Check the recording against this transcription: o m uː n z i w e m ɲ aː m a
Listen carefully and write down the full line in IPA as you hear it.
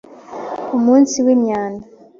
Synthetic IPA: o m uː n s i w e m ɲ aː n a